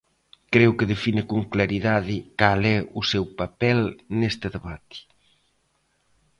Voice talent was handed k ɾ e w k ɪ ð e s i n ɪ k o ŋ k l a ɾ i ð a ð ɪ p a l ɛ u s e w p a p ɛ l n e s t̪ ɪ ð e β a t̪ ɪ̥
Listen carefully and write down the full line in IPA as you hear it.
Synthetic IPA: k ɾ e w k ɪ ð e f i n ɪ k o ŋ k l a ɾ i ð a ð ɪ k a l ɛ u s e w p a p ɛ l n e s t̪ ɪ ð e β a t̪ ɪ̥